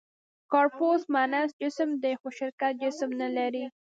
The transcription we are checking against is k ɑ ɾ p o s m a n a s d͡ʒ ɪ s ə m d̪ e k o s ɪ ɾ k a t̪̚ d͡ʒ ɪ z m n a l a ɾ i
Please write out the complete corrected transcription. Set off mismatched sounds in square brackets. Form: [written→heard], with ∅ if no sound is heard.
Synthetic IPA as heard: k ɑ ɾ p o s m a n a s d͡ʒ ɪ s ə m d̪ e [k→x] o [s→ʃ] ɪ ɾ k a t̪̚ d͡ʒ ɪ [z→s] m n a l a ɾ i